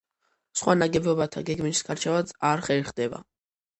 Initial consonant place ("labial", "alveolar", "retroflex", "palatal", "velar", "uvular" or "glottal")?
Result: alveolar